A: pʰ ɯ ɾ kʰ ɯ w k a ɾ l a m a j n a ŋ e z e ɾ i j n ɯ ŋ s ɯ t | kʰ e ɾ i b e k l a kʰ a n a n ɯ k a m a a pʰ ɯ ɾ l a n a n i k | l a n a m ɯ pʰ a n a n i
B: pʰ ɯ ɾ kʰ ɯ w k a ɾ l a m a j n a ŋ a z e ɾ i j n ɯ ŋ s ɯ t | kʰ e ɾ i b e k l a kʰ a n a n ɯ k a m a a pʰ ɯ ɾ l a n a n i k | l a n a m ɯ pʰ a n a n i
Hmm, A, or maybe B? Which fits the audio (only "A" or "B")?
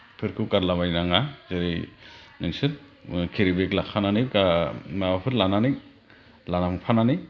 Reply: B